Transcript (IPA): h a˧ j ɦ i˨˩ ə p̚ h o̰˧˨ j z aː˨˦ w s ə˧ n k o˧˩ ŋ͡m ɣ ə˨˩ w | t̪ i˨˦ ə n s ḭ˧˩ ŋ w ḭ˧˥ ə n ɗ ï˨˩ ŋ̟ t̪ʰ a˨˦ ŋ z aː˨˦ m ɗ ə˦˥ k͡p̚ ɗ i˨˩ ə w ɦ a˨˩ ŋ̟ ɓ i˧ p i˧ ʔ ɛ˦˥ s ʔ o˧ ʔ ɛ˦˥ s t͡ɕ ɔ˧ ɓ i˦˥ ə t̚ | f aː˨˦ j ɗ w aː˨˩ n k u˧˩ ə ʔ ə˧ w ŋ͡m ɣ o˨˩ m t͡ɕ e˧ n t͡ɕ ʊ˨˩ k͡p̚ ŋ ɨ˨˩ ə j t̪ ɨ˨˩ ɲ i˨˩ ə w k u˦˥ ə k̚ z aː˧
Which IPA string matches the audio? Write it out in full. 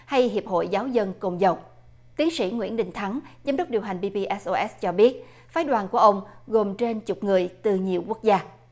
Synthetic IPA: h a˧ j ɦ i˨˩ ə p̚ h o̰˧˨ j z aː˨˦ w z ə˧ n k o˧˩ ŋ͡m z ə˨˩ w | t̪ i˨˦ ə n s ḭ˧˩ ŋ w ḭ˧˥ ə n ɗ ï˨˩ ŋ̟ t̪ʰ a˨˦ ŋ z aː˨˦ m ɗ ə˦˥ k͡p̚ ɗ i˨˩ ə w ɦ a˨˩ ŋ̟ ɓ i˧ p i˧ ʔ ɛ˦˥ s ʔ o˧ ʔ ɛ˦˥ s t͡ɕ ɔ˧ ɓ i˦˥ ə t̚ | f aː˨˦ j ɗ w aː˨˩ n k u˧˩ ə ʔ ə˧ w ŋ͡m ɣ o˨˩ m t͡ɕ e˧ n t͡ɕ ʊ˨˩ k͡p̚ ŋ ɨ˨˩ ə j t̪ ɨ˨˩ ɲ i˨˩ ə w k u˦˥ ə k̚ z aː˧

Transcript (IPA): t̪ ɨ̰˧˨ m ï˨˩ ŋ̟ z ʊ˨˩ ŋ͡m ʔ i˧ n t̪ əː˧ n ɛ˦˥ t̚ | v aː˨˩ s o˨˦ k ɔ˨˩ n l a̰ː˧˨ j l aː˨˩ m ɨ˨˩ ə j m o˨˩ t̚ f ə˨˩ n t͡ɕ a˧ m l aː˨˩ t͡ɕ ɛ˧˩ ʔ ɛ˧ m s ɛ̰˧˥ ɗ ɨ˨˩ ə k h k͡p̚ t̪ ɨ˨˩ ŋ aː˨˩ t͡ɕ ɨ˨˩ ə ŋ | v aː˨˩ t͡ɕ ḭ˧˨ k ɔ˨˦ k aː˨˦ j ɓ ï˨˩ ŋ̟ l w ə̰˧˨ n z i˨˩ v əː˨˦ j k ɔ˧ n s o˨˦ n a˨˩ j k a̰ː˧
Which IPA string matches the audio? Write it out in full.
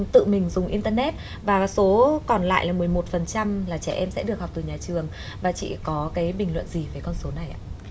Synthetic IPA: t̪ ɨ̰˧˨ m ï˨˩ ŋ̟ z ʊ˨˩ ŋ͡m ʔ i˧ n t̪ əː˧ n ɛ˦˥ t̚ | v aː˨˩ s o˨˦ k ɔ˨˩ n l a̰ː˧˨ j l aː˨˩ m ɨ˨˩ ə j m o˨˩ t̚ f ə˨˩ n t͡ɕ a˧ m l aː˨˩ t͡ɕ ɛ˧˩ ʔ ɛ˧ m s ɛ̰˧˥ ɗ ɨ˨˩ ə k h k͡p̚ t̪ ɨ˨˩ ɲ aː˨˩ t͡ɕ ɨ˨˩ ə ŋ | v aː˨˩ t͡ɕ ḭ˧˨ k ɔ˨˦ k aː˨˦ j ɓ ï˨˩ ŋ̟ l w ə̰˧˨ n z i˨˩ v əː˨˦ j k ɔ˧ n s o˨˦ n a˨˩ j ʔ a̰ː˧

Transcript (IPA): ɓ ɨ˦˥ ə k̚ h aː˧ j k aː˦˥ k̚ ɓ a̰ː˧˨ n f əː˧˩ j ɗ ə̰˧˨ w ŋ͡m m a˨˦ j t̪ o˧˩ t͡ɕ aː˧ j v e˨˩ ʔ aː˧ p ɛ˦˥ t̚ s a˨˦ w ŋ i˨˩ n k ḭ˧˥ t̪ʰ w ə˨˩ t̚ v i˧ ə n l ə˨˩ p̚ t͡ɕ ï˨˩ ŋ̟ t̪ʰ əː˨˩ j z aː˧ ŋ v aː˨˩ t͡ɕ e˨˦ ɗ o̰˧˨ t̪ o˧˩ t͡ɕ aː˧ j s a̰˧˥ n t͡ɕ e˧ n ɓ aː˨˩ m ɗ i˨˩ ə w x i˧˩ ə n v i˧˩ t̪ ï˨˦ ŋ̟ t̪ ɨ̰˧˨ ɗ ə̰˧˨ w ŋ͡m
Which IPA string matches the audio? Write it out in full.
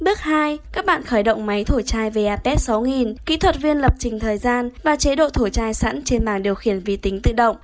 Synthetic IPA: ɓ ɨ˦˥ ə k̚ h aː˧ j k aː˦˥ k̚ ɓ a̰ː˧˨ n x əː˧˩ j ɗ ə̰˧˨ w ŋ͡m m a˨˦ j t̪ʰ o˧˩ t͡ɕ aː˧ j v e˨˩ ʔ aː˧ p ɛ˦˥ t̚ s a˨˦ w ŋ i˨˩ n k ḭ˧˥ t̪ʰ w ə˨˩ t̚ v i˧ ə n l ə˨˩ p̚ t͡ɕ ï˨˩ ŋ̟ t̪ʰ əː˨˩ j z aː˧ n v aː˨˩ t͡ɕ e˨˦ ɗ o̰˧˨ t̪ʰ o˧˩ t͡ɕ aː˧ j s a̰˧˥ n t͡ɕ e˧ n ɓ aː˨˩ ŋ ɗ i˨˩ ə w x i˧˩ ə n v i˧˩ t̪ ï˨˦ ŋ̟ t̪ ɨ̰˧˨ ɗ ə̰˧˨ w ŋ͡m

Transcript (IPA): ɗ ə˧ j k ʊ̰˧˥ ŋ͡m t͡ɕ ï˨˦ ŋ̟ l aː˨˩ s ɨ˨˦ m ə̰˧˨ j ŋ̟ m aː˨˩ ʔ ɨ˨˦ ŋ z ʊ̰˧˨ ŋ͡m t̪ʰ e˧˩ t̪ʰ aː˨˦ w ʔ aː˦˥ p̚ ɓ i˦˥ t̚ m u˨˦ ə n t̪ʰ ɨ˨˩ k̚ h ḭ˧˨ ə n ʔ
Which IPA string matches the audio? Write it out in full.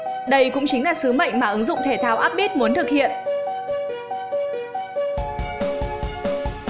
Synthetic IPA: ɗ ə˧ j k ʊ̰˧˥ ŋ͡m t͡ɕ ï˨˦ ŋ̟ l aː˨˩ s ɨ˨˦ m ə̰˧˨ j ŋ̟ m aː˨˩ ʔ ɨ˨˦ ŋ z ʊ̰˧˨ ŋ͡m t̪ʰ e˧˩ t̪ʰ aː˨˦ w ʔ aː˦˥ p̚ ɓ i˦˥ t̚ m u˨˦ ə n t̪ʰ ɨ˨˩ k̚ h ḭ˧˨ ə n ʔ

